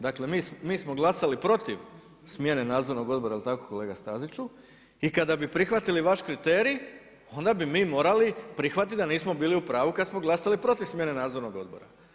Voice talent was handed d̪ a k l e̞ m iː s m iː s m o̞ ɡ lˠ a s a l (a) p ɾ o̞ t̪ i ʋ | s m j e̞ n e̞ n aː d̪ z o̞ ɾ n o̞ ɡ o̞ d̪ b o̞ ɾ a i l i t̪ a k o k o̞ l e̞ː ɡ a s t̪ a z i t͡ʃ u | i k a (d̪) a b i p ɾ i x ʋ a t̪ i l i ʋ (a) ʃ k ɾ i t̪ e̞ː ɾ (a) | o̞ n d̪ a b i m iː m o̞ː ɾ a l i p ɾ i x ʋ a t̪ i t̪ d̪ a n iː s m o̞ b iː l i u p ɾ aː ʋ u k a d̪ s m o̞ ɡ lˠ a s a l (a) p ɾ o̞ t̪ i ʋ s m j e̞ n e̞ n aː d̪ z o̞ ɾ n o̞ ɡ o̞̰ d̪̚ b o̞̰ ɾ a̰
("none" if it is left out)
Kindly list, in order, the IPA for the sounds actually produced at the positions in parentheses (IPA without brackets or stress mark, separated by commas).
i, d̪, a, i, i